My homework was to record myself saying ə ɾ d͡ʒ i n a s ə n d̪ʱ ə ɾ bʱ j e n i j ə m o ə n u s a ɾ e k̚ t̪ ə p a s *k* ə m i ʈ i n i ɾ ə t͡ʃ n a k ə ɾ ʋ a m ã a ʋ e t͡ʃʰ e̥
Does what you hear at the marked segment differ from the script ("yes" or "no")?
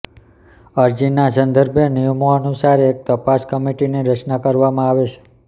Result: no